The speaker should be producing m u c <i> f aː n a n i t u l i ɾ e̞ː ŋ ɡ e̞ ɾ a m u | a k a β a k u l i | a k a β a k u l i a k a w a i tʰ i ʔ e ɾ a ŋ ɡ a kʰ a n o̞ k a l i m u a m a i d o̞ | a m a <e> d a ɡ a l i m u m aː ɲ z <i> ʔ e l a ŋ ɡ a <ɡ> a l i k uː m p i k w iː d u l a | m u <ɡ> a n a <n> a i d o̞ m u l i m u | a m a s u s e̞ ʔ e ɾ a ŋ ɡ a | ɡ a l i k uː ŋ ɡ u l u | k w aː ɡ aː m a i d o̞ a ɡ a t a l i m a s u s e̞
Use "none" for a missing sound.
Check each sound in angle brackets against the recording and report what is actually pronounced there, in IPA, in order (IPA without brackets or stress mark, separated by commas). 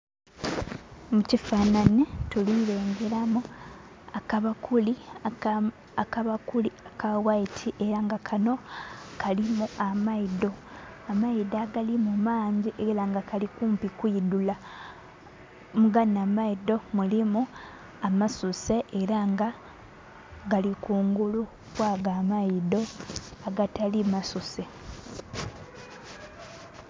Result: i, i, i, k, ɡ, m